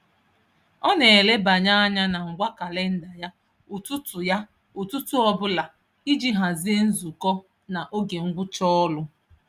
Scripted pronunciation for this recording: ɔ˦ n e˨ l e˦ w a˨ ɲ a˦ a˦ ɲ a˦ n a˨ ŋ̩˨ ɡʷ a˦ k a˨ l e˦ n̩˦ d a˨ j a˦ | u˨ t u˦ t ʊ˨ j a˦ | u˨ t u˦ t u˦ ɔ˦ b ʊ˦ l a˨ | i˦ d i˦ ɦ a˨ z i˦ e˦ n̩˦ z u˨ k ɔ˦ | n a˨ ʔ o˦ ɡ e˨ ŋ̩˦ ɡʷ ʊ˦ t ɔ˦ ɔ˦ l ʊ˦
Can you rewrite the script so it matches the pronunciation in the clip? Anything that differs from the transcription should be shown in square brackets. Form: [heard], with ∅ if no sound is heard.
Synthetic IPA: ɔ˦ n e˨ l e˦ [b] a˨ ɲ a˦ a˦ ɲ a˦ n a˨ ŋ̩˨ ɡʷ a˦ k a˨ l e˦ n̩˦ d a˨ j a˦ | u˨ t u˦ t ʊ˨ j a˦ | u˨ t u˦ t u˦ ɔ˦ b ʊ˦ l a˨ | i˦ [d͡ʒ] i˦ ɦ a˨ z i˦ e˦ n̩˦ z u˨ k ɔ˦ | n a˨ ʔ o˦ ɡ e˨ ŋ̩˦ ɡʷ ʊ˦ [t͡ʃ] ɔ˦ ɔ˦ l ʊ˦